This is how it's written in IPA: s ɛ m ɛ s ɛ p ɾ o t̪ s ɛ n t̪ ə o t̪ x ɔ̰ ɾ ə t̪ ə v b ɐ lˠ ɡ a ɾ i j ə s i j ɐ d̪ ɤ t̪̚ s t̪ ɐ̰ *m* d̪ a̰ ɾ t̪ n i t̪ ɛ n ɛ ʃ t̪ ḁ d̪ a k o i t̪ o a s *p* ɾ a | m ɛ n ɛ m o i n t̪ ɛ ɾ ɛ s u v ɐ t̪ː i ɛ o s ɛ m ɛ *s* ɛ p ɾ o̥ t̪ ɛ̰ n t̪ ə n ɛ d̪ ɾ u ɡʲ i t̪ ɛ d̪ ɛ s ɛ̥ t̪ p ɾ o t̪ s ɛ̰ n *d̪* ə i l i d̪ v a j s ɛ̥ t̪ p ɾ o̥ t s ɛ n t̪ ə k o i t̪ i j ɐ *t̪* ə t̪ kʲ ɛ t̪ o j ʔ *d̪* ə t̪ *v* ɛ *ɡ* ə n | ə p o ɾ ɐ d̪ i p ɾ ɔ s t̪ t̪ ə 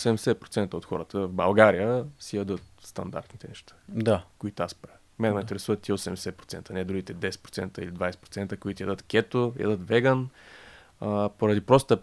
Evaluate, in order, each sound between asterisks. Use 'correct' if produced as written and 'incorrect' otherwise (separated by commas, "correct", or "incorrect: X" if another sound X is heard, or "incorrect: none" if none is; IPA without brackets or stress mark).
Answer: incorrect: n, correct, correct, incorrect: t̪, incorrect: d̪, correct, correct, correct